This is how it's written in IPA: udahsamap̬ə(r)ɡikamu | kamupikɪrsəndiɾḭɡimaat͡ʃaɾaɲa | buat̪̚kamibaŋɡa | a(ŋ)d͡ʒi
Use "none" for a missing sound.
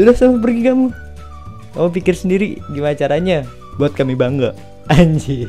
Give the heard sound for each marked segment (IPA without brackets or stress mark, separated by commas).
r, ɲ